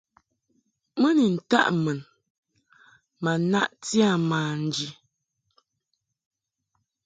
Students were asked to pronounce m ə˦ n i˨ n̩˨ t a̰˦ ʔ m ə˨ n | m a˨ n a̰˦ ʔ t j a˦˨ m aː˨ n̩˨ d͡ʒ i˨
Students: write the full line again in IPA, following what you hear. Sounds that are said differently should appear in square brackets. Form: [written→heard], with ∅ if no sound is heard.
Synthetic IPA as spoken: m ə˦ n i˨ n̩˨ t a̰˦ ʔ m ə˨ n | m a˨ n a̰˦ ʔ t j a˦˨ m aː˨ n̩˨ d͡ʒ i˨